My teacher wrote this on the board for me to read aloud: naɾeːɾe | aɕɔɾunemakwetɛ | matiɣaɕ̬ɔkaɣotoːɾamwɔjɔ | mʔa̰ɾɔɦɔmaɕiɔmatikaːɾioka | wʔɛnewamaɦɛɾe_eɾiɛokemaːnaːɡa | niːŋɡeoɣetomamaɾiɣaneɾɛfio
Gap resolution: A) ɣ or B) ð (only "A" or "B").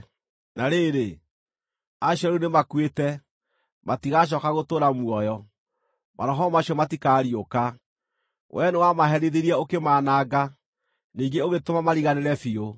B